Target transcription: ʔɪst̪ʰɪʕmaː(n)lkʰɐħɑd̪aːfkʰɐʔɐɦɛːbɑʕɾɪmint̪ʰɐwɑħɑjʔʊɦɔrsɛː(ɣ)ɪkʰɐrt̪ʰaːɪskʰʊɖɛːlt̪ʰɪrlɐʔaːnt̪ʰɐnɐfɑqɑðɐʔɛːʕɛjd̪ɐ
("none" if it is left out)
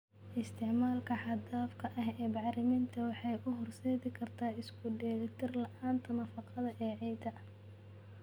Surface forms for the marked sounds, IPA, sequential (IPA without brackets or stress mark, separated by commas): none, ð